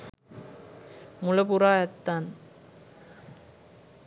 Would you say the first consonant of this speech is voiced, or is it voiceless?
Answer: voiced